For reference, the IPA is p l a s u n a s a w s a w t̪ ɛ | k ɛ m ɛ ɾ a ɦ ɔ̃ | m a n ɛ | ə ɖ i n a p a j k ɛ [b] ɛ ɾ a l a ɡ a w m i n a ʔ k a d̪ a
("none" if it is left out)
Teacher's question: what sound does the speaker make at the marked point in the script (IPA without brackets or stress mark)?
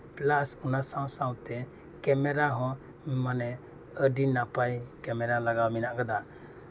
m